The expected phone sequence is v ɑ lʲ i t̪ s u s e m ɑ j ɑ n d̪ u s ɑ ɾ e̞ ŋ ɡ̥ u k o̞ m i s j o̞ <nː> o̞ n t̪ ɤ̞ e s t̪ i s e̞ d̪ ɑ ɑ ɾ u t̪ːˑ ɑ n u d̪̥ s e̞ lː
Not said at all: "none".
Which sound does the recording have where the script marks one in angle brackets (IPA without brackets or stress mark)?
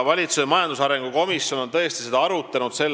n